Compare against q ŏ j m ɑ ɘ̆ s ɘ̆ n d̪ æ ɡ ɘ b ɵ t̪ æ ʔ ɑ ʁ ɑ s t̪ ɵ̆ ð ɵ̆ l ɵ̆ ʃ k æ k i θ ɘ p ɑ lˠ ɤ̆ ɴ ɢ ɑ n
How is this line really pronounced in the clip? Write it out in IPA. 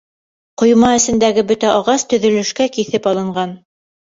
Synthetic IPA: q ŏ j m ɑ ɘ̆ s ɘ̆ n d̪ æ ɡ ɘ b ɵ t̪ æ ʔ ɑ ʁ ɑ s t̪ ɵ̆ ð ɵ̆ l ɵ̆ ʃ k æ k i θ ɘ p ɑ lˠ ɤ̆ ɴ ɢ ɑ n